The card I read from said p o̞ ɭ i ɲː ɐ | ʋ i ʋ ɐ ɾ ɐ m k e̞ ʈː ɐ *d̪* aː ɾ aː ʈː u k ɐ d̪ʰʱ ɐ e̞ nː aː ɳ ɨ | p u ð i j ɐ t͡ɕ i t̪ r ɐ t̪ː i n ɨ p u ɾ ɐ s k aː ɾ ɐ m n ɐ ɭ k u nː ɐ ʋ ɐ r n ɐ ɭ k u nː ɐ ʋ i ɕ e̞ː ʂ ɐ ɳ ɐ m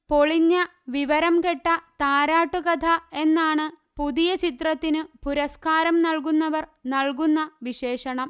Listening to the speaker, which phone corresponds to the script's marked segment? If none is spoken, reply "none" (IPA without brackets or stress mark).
t̪